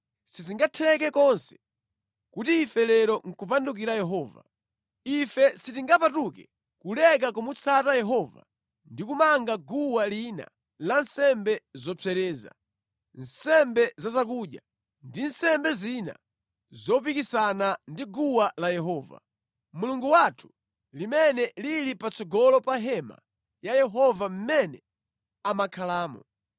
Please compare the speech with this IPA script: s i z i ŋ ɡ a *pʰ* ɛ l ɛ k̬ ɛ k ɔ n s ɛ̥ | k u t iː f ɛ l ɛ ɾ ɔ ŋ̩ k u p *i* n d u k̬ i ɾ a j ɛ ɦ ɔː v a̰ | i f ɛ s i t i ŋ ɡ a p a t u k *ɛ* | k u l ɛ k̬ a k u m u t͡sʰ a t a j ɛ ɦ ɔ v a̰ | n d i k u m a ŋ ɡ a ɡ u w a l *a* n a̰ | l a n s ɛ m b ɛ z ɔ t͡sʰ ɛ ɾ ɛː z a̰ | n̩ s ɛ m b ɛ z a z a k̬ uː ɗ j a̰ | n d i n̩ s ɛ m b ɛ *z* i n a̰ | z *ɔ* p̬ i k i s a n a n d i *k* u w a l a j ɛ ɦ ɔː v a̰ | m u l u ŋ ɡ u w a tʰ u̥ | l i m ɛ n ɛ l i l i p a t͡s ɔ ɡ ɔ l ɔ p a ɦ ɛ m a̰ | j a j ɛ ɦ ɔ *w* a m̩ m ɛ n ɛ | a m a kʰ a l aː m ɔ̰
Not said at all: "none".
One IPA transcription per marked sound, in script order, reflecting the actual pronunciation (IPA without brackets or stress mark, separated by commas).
tʰ, a, ɛ, i, z, ɔ, ɡ, v